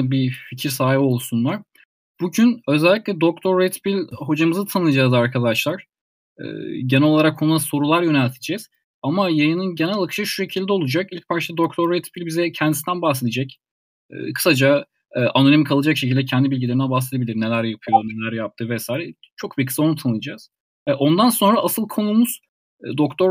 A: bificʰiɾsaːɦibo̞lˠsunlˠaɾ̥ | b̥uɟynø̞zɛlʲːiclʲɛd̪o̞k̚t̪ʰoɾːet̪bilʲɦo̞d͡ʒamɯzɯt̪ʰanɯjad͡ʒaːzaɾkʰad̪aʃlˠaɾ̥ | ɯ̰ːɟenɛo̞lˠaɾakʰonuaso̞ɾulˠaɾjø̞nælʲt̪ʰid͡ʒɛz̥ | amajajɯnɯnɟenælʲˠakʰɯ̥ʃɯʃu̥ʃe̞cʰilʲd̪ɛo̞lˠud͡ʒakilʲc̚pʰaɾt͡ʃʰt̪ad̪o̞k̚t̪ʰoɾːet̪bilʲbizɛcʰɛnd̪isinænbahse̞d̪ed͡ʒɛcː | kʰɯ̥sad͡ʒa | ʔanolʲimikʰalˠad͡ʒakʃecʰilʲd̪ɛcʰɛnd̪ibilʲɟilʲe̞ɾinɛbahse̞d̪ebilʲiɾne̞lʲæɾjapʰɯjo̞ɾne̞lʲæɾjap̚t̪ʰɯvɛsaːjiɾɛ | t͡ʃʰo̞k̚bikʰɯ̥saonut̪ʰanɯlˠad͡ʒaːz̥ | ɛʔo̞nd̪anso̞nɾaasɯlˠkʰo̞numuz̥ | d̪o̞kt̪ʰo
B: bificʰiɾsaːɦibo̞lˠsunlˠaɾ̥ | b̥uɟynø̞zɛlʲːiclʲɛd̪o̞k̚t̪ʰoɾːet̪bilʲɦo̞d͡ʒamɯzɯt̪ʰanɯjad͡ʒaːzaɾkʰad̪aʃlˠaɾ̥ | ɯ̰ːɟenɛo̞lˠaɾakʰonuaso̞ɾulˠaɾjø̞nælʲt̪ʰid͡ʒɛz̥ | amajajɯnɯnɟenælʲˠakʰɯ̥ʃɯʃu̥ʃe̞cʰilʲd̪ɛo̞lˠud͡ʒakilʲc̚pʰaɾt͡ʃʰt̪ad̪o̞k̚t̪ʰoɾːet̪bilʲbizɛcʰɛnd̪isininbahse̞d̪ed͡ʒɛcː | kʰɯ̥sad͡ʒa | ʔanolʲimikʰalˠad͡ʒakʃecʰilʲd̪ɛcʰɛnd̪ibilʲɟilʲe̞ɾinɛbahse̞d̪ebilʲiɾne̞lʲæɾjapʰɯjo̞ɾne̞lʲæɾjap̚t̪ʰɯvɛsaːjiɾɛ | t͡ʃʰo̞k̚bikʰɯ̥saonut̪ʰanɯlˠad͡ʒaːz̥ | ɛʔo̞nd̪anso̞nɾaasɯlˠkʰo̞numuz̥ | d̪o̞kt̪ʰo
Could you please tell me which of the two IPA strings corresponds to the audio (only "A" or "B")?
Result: A